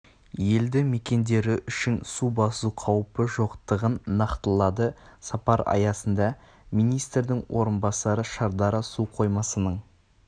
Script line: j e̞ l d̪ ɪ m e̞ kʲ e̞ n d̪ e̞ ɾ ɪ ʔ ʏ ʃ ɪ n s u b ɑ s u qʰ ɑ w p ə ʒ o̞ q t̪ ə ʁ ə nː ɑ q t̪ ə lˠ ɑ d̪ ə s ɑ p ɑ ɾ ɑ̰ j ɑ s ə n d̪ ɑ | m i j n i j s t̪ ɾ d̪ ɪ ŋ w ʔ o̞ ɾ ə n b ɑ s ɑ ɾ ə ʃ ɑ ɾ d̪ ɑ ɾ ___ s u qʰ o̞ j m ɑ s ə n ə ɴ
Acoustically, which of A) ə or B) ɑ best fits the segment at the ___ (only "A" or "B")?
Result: A